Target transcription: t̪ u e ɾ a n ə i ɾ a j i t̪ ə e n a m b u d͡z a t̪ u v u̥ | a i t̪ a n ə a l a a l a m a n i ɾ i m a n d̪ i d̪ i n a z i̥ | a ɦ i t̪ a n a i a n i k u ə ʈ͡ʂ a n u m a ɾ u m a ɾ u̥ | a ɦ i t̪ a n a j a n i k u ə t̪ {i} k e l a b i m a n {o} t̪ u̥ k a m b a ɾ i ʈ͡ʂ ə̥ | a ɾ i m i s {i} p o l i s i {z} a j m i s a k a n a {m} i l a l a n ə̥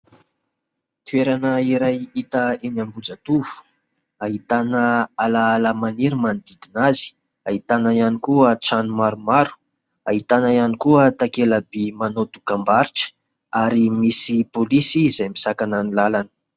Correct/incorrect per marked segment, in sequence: incorrect: a, correct, correct, correct, incorrect: n

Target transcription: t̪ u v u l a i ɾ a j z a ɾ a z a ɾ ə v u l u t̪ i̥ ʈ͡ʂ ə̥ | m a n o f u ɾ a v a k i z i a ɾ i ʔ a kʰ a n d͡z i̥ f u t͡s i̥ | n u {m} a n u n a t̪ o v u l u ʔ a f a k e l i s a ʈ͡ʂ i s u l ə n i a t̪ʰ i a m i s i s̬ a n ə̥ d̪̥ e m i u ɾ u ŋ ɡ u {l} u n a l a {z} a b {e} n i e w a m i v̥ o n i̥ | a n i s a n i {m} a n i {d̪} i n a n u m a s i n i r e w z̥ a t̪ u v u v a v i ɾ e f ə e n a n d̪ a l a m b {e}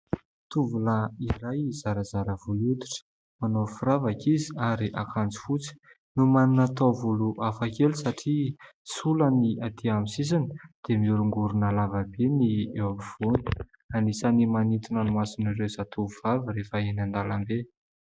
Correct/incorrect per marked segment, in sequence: correct, incorrect: ɾ, incorrect: v, correct, correct, incorrect: t̪, correct

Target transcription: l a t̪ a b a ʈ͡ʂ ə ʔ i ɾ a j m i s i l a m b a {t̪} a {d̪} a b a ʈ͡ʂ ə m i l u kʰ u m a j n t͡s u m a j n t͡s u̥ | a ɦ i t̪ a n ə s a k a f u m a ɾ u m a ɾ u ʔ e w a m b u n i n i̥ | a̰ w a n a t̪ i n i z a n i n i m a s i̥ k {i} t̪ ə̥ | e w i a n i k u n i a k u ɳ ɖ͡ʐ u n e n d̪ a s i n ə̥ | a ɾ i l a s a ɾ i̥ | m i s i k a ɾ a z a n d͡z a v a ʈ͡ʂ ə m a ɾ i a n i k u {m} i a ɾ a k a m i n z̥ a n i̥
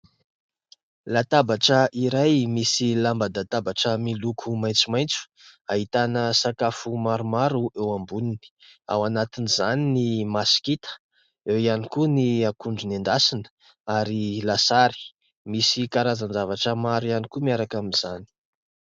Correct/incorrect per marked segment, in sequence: incorrect: d̪, incorrect: t̪, correct, correct

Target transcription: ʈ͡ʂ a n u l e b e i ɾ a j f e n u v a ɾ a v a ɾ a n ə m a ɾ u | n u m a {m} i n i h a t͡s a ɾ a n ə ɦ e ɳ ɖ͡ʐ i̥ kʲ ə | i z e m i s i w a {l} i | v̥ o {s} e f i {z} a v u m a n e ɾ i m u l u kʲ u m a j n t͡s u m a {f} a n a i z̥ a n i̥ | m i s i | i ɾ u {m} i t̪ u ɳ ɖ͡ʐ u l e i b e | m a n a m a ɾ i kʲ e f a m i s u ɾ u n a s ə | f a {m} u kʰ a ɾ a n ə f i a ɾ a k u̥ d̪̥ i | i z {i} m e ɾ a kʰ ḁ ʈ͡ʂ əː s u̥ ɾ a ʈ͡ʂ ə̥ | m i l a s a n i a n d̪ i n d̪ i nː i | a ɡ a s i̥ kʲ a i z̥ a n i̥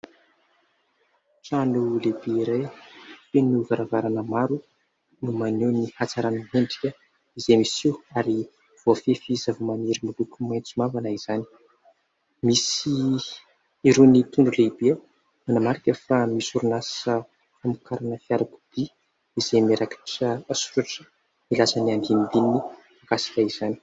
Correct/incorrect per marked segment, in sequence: incorrect: n, incorrect: ɾ, incorrect: f, correct, incorrect: v, incorrect: n, correct, incorrect: e

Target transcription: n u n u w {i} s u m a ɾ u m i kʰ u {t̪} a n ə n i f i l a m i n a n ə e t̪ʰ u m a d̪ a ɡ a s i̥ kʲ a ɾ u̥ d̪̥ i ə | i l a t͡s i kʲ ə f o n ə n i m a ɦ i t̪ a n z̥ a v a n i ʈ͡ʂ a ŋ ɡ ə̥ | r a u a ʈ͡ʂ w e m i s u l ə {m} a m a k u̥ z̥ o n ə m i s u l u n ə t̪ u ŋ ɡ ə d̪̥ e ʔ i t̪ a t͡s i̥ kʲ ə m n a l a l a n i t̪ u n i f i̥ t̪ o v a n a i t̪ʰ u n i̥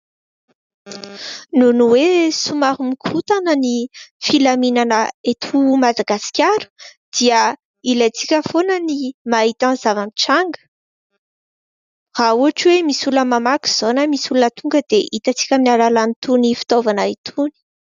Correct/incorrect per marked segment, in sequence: incorrect: e, correct, correct

